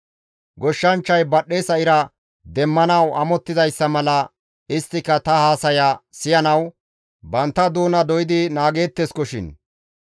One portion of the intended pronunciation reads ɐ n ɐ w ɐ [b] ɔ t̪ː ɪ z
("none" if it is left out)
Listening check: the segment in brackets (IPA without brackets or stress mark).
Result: m